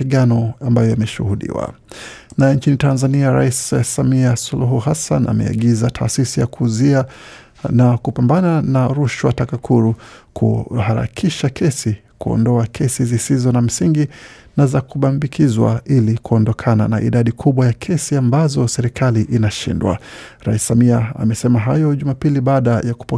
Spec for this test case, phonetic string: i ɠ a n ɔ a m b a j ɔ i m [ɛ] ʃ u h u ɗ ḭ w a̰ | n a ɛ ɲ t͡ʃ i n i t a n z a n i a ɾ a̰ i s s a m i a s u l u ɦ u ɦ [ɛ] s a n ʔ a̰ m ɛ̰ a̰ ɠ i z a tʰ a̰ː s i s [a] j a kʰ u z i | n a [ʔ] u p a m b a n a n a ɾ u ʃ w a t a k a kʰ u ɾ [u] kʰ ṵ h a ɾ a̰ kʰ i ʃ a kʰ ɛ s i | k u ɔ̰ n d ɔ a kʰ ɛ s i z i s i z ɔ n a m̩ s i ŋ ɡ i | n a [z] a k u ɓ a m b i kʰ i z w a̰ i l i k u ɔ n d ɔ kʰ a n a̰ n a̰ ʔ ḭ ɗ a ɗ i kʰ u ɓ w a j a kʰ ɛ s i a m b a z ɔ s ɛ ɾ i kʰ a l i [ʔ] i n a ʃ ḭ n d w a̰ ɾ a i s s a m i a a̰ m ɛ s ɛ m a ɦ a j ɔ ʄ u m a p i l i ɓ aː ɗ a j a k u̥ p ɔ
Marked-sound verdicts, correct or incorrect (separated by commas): correct, incorrect, incorrect, incorrect, correct, correct, correct